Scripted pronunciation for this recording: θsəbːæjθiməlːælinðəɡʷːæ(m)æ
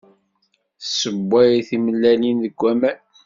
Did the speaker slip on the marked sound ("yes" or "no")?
no